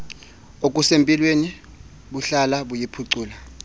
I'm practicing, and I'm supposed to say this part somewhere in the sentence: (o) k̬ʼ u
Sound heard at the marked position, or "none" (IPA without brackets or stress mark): o